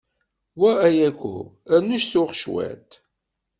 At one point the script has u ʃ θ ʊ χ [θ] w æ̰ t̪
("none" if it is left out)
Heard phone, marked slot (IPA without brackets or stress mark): ʃ